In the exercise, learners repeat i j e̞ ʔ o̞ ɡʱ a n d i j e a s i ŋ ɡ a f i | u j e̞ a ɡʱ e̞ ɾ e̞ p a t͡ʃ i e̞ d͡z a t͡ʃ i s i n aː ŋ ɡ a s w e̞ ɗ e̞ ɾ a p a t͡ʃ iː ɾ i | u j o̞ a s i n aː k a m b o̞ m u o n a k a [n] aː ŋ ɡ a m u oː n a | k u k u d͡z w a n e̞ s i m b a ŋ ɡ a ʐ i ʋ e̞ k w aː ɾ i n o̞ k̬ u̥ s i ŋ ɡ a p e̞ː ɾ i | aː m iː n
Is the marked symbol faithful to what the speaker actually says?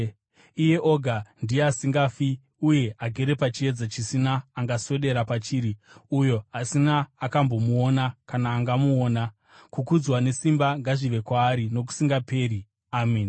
yes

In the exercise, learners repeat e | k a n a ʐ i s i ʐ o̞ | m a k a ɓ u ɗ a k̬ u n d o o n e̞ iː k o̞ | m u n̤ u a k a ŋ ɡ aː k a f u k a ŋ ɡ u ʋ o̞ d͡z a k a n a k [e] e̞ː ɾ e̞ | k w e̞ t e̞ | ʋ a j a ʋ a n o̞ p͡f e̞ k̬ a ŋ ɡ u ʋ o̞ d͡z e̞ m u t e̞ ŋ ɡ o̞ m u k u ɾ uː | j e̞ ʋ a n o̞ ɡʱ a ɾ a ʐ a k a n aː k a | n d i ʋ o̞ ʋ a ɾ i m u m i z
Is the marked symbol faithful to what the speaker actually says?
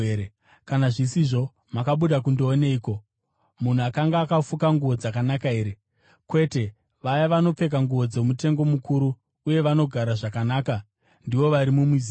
no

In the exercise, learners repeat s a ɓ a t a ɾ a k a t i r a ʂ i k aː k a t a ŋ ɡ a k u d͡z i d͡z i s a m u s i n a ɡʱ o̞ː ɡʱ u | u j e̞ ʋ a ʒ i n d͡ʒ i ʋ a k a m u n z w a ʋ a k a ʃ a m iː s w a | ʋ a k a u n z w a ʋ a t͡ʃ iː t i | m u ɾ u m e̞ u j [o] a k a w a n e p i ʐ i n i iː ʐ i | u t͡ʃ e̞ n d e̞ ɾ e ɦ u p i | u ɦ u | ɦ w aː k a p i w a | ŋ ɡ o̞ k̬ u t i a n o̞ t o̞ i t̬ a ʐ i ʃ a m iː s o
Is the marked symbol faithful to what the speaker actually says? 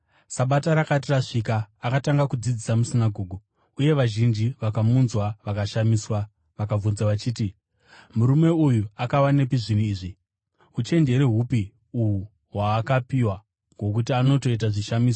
no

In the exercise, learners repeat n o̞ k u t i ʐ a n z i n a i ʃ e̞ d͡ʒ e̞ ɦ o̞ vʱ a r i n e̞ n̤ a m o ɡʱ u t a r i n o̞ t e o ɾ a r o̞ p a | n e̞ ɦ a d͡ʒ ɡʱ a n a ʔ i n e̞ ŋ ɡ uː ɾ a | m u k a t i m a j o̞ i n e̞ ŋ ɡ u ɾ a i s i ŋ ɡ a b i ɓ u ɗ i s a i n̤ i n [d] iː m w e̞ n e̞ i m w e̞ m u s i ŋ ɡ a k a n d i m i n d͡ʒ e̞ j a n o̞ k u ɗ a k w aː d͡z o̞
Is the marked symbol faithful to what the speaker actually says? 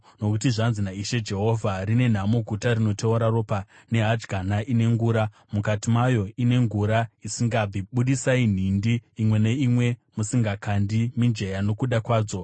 yes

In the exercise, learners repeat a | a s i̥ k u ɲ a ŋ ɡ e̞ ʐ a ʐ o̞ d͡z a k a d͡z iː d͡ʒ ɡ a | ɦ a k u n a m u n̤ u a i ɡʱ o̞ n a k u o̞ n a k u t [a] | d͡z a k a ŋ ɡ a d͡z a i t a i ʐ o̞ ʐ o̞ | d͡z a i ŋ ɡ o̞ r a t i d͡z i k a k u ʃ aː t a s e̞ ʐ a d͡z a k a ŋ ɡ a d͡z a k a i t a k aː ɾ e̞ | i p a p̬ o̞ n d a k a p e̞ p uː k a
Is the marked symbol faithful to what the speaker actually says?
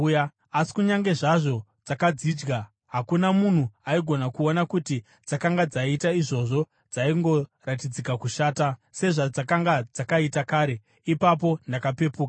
no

